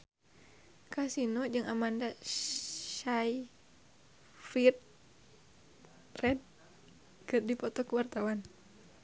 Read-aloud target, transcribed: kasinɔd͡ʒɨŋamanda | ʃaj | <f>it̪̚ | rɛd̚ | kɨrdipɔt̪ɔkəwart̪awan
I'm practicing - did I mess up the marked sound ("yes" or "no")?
no